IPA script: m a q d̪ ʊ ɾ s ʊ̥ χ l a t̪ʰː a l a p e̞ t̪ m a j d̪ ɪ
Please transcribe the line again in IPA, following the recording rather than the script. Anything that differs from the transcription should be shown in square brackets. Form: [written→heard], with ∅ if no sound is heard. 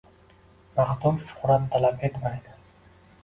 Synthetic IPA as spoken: m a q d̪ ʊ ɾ [s→ʃ] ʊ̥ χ [l→ɾ] a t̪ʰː a l a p e̞ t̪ m a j d̪ ɪ